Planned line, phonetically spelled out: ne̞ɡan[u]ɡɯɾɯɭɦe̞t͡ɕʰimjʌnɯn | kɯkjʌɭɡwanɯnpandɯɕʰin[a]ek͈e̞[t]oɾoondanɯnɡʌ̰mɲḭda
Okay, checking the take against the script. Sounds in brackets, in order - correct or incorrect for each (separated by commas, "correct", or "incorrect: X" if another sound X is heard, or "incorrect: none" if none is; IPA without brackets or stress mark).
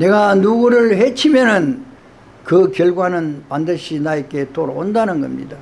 correct, correct, correct